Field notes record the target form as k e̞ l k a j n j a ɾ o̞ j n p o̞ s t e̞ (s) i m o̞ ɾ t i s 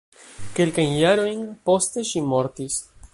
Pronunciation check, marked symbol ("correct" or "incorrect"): incorrect